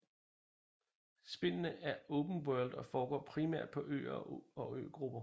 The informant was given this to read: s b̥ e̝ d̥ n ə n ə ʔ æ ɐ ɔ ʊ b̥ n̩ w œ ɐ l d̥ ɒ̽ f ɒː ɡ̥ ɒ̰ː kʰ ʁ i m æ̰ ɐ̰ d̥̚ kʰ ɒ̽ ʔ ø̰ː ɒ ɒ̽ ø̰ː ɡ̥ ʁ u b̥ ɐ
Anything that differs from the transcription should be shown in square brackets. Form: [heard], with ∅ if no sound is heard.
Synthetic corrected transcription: s b̥ e̝ [∅] n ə n ə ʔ æ ɐ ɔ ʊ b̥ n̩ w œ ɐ l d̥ ɒ̽ f ɒː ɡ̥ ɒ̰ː [pʰ] ʁ i m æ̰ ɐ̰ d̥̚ [pʰ] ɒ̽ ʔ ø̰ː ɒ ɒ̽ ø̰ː ɡ̥ ʁ u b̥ ɐ